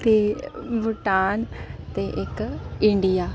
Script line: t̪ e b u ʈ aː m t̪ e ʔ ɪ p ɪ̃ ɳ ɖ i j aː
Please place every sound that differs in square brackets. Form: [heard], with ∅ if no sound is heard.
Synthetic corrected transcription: t̪ e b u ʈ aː [n] t̪ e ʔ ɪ [k] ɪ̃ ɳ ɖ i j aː